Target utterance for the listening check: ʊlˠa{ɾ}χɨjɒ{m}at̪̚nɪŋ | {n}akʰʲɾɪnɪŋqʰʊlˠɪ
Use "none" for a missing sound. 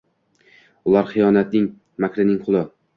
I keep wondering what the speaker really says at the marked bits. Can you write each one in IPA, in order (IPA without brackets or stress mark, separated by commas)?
ɾ, n, m